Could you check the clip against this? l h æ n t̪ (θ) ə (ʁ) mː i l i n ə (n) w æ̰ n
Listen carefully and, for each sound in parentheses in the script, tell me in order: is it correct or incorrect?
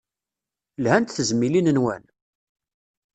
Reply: correct, incorrect: z, correct

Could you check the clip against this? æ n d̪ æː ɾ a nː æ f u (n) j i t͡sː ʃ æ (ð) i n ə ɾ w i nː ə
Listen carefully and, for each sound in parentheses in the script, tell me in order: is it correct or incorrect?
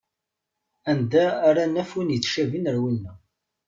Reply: correct, incorrect: v

